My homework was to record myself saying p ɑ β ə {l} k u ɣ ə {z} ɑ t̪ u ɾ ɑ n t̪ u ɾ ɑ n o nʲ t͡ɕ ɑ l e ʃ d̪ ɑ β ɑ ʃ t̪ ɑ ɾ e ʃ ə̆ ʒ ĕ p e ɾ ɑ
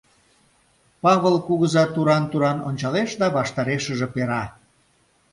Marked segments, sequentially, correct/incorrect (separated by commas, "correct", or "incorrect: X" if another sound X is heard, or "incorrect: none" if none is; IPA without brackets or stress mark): correct, correct